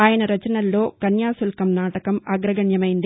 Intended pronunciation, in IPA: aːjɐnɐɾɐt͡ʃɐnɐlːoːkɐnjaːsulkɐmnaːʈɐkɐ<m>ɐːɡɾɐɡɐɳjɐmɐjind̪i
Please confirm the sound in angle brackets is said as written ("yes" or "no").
yes